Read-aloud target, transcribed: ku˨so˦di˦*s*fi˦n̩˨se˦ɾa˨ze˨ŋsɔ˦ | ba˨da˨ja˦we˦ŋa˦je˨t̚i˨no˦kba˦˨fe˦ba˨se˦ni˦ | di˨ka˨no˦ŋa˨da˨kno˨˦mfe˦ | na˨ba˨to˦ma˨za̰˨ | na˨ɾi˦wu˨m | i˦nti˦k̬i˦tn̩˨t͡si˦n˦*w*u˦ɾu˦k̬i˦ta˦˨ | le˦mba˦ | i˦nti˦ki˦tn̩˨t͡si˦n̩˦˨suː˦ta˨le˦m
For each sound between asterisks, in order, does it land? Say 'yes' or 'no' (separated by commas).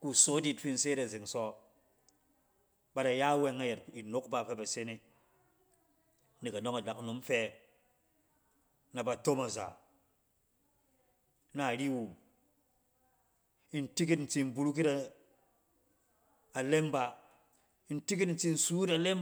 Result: no, no